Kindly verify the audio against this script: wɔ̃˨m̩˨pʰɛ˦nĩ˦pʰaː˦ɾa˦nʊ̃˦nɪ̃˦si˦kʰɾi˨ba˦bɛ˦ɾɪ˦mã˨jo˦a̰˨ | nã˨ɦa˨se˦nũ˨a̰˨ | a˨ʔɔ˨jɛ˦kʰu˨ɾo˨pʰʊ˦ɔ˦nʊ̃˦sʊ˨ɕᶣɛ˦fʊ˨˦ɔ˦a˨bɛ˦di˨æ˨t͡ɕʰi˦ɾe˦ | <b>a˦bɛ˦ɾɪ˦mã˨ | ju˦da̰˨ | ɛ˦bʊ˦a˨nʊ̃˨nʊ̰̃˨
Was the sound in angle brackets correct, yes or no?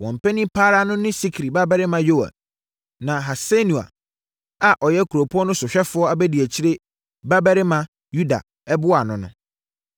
yes